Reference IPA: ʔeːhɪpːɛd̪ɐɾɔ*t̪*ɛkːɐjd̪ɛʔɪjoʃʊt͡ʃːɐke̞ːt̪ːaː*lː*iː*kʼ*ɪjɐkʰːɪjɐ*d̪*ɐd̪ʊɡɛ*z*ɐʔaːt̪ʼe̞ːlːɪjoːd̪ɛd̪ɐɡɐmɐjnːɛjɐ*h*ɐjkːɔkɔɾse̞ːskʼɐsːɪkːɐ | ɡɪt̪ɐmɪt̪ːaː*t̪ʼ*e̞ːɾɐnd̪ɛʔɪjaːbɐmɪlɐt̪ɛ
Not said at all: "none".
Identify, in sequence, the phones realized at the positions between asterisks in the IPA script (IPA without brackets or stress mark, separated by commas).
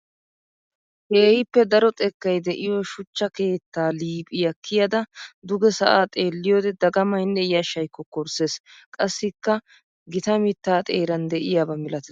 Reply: t̪ʼ, l, pʼ, d̪, s, ʃ, t̪ʼ